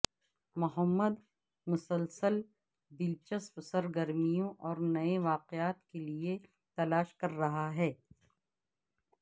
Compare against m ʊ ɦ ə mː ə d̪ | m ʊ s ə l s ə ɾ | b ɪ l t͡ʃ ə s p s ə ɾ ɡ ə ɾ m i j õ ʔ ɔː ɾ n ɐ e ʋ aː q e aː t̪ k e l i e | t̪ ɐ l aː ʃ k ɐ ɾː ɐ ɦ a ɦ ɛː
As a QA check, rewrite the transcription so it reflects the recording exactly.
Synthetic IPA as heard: m ʊ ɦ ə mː ə d̪ | m ʊ s ə l s ə l | b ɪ l t͡ʃ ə s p s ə ɾ ɡ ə ɾ m i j õ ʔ ɔː ɾ n ɐ e ʋ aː q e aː t̪ k e l i e | t̪ ɐ l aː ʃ k ɐ ɾː ɐ ɦ a ɦ ɛː